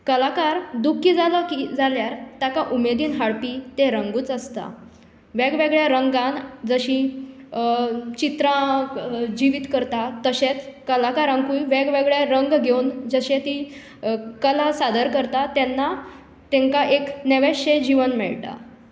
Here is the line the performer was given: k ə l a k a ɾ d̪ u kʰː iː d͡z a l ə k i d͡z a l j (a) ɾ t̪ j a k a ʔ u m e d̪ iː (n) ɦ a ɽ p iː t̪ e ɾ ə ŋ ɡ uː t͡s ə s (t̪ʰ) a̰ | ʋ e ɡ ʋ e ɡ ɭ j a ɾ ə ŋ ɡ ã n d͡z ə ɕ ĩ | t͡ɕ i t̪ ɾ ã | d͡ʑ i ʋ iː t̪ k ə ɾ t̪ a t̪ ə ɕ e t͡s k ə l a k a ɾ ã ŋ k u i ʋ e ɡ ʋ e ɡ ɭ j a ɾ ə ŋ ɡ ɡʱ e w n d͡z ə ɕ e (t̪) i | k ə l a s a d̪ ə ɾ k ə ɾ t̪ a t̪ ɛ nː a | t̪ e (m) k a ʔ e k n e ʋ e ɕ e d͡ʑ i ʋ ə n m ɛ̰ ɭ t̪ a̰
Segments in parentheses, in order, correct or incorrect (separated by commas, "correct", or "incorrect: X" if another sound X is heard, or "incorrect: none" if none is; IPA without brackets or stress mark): correct, correct, incorrect: t̪, correct, incorrect: ŋ